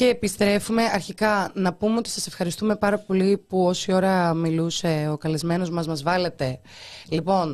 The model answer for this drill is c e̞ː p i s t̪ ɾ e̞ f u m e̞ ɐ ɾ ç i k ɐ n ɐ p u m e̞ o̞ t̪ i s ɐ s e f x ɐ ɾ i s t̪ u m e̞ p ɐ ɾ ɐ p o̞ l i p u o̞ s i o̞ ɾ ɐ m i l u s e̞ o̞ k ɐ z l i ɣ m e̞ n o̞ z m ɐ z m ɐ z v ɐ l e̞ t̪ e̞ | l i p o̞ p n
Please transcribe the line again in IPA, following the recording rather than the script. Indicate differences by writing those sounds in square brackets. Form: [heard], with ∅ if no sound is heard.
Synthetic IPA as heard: c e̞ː p i s t̪ ɾ e̞ f u m e̞ ɐ ɾ ç i k ɐ n ɐ p u m e̞ o̞ t̪ i s ɐ s e f x ɐ ɾ i s t̪ u m e̞ p ɐ ɾ ɐ p o̞ l i p u o̞ s i o̞ ɾ ɐ m i l u s e̞ o̞ k ɐ [∅] l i [z] m e̞ n o̞ z m ɐ z m ɐ z v ɐ l e̞ t̪ e̞ | l i p o̞ [∅] n